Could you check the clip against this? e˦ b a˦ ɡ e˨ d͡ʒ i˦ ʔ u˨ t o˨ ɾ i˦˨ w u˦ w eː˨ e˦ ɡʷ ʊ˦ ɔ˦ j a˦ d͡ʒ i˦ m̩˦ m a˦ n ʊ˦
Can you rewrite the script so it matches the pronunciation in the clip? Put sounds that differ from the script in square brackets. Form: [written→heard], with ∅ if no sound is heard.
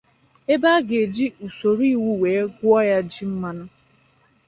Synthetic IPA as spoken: e˦ b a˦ ɡ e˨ d͡ʒ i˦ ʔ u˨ [t→s] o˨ ɾ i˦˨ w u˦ w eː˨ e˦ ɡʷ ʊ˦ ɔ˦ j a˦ d͡ʒ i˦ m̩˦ m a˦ n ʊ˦